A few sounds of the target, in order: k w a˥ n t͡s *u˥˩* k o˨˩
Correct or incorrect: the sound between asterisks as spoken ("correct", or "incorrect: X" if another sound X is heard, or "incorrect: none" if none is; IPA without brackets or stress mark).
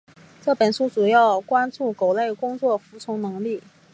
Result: correct